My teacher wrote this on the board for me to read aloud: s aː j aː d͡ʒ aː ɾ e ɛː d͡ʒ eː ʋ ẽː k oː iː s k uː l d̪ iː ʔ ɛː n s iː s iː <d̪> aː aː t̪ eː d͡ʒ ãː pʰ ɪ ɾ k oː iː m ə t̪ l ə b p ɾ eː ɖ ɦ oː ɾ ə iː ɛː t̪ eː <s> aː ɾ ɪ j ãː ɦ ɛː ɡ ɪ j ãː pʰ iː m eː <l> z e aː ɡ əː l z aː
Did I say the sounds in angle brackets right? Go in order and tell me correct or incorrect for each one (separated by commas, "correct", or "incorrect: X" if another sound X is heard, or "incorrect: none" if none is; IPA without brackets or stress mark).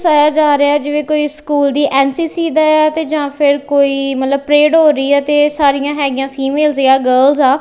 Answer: correct, correct, correct